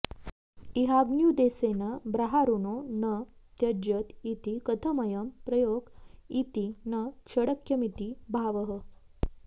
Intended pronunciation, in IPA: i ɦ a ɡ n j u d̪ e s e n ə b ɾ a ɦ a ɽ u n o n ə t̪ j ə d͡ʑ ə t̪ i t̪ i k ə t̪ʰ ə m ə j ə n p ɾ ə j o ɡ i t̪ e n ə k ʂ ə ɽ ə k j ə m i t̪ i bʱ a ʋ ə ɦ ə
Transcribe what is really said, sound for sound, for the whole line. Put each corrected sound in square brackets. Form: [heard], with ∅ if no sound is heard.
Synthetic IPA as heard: i ɦ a ɡ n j u d̪ e s e n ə b ɾ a ɦ a [ɾ] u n o n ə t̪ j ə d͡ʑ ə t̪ i t̪ i k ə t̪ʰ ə m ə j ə [m] p ɾ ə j o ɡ i t̪ [i] n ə k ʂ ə ɽ ə k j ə m i t̪ i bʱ a ʋ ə ɦ ə